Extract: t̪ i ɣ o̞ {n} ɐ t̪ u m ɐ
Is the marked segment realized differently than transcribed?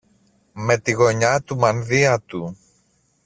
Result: yes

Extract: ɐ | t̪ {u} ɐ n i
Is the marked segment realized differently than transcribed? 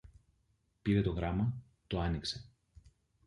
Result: yes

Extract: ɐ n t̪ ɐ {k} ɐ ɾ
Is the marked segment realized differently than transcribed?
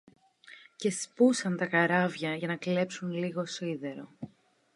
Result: no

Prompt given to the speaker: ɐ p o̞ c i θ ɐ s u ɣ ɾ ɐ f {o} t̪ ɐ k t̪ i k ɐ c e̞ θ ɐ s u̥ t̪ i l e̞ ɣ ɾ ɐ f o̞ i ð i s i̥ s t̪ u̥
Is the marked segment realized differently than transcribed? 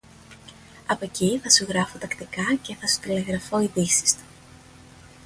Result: no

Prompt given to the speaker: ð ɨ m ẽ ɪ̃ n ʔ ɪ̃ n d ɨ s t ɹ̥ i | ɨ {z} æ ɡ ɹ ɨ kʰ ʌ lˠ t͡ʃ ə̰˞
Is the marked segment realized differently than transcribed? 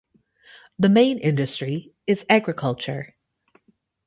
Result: no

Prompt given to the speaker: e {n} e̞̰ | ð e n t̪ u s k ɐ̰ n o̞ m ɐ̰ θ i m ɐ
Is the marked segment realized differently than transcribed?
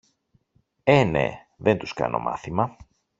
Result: no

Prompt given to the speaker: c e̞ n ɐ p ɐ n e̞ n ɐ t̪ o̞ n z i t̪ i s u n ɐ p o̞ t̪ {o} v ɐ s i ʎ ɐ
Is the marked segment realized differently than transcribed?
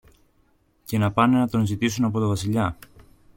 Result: no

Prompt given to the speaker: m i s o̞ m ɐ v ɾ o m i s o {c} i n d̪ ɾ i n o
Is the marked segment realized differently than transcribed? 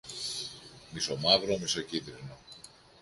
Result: no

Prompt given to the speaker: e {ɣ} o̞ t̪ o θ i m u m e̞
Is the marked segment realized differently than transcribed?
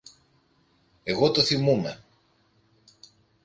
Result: no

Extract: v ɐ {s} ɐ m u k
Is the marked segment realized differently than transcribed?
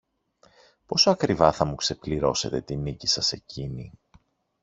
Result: yes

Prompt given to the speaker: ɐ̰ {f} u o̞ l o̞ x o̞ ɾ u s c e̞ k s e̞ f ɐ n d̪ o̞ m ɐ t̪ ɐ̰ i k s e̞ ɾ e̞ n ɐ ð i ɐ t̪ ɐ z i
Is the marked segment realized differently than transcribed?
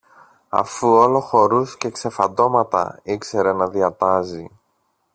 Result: no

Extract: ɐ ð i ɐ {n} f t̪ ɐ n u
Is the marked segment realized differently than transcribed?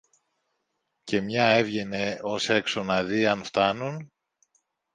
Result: no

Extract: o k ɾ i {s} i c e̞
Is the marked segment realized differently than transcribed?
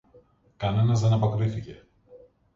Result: yes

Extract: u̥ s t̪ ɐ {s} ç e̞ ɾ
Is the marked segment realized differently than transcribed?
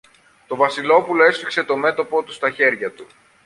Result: yes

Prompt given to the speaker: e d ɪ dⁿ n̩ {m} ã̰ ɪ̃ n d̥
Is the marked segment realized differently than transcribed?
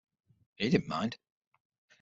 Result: no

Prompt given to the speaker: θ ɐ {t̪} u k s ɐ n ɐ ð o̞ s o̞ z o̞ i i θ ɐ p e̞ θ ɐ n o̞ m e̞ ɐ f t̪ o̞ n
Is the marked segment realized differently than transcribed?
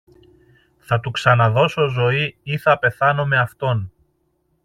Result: no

